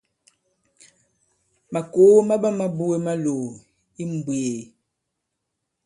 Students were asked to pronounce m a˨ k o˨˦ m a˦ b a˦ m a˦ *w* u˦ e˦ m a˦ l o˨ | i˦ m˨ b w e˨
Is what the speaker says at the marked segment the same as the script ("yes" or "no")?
no